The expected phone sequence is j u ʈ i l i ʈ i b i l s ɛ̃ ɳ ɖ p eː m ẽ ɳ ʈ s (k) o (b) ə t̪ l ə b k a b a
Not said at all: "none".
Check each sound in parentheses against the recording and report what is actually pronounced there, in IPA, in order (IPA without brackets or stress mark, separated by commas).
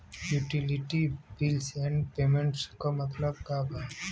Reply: k, m